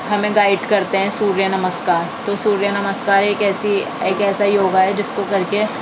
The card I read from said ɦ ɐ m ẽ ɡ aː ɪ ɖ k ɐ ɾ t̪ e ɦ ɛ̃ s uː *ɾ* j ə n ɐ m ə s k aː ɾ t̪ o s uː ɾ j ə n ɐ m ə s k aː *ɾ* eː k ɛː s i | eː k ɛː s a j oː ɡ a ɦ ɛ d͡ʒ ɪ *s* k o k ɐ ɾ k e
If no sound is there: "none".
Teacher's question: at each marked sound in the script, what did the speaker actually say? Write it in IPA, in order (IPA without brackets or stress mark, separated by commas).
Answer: ɾ, ɾ, s